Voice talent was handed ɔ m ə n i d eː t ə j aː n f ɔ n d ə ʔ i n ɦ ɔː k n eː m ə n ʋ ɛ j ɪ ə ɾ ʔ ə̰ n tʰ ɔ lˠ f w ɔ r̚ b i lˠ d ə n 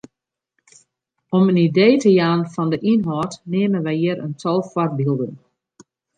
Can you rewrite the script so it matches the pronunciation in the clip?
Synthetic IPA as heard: ɔ m ə n i d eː t ə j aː n f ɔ n d ə ʔ i n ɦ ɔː t n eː m ə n ʋ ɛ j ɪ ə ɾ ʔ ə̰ n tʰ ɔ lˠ f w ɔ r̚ b i lˠ d ə n